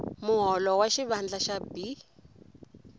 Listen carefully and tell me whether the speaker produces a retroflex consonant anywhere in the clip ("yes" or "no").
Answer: no